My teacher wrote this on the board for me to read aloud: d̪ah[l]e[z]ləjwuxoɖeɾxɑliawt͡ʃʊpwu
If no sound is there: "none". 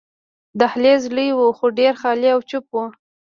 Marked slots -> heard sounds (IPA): l, z

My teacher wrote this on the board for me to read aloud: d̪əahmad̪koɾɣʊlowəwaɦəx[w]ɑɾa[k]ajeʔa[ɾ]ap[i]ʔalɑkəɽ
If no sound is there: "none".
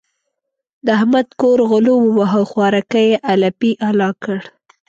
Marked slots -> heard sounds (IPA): w, k, l, i

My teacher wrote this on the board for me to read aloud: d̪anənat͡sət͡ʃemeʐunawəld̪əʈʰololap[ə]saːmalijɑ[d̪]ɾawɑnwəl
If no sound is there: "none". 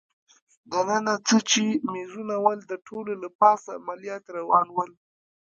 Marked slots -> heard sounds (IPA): ɑ, t̪

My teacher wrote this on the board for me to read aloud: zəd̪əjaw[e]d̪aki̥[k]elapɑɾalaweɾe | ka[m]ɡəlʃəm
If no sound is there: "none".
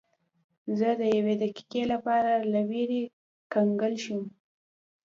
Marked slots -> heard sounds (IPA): e, k, ŋ

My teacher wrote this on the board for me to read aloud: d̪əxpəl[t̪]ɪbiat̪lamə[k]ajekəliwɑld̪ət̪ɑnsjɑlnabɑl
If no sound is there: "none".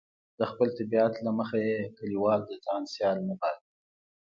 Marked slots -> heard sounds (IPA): t̪, x

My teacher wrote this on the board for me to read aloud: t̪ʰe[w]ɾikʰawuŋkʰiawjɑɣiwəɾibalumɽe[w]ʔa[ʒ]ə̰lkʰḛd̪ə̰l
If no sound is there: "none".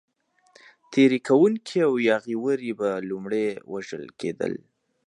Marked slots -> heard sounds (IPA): none, w, ʒ

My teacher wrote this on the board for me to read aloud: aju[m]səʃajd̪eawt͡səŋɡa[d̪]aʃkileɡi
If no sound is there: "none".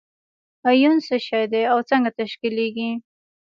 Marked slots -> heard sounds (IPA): n, t̪

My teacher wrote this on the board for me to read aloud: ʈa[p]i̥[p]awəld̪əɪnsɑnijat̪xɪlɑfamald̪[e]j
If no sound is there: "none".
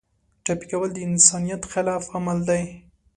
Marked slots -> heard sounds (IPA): p, k, a

